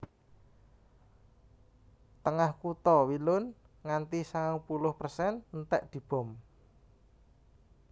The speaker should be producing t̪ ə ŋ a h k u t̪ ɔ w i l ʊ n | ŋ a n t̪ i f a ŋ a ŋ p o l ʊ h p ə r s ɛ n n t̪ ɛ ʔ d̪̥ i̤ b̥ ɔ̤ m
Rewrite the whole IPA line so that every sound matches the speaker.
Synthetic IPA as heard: t̪ ə ŋ a h k u t̪ ɔ w i l ʊ n | ŋ a n t̪ i s a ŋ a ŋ p u l ʊ h p ə r s ɛ n n t̪ ɛ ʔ d̪̥ i̤ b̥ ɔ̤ m